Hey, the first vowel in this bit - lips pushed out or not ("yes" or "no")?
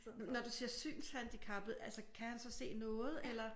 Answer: yes